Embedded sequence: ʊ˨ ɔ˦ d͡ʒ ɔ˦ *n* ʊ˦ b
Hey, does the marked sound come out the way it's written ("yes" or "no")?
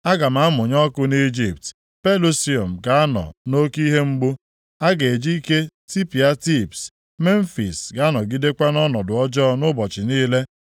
yes